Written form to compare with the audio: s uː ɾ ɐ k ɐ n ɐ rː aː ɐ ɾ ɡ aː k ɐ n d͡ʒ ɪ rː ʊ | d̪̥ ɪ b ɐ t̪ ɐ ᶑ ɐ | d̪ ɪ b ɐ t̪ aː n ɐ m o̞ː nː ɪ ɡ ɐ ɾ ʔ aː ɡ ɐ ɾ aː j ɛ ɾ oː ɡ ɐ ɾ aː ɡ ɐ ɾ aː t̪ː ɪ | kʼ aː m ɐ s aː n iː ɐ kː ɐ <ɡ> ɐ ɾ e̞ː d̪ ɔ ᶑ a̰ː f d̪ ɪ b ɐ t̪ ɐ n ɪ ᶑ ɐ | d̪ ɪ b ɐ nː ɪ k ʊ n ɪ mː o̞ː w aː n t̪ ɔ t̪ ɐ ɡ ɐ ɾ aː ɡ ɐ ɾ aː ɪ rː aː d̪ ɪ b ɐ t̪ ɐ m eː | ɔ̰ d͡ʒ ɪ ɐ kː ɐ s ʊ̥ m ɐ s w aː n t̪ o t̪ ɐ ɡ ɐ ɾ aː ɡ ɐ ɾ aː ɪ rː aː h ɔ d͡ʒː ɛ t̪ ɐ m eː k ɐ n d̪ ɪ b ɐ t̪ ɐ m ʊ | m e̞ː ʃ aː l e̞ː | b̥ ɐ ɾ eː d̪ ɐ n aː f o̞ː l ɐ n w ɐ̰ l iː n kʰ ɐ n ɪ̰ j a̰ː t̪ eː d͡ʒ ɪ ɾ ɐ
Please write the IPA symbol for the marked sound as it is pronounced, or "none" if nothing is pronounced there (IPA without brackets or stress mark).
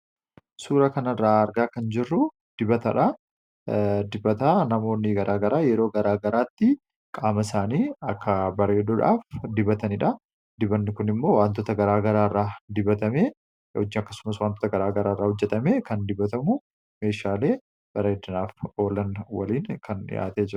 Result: b